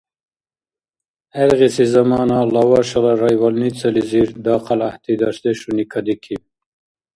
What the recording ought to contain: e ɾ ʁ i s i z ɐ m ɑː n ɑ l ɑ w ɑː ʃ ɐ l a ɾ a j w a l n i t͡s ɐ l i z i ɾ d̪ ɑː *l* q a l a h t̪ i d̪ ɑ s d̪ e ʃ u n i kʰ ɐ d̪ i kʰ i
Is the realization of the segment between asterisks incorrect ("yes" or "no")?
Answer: yes